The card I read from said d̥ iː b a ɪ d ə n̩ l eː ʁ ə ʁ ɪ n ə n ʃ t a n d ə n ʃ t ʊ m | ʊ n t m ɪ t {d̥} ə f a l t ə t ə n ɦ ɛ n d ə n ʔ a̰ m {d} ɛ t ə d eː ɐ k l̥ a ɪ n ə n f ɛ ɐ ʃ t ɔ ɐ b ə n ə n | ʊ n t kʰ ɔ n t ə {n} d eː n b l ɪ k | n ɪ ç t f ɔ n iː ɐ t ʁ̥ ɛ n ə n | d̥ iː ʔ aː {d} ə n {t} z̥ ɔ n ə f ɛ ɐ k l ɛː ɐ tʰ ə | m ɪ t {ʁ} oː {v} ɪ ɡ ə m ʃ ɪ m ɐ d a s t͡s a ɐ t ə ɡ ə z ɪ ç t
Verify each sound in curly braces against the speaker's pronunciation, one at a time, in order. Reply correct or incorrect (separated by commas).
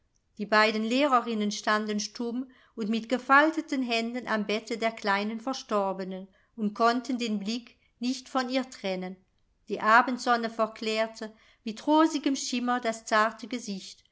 incorrect, incorrect, correct, incorrect, correct, correct, incorrect